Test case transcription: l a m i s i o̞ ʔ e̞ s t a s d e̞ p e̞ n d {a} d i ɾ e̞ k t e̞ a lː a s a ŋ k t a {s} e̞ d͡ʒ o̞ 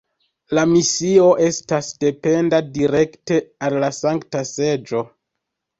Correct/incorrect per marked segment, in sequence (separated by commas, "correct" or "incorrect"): correct, correct